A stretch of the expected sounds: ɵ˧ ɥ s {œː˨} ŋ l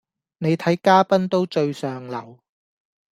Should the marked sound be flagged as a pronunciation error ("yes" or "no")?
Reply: no